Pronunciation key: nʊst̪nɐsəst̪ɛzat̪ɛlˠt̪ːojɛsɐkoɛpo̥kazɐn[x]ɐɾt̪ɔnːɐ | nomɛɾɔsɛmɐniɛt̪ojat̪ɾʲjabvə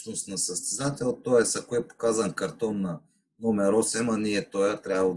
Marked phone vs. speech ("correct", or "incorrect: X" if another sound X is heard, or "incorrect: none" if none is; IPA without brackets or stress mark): incorrect: k